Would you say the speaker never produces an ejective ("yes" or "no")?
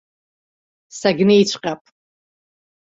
no